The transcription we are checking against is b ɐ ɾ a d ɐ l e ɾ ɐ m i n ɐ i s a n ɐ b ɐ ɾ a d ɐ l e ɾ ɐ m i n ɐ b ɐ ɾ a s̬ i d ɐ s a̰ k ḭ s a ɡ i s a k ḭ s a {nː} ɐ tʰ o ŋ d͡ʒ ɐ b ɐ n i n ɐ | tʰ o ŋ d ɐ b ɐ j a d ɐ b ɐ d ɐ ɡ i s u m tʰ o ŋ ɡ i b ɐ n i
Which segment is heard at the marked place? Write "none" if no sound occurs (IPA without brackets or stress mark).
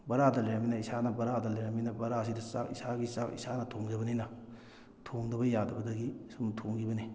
n